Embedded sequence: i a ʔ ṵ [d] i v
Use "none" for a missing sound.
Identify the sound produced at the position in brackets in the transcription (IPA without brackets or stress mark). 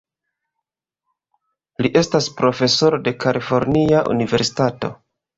n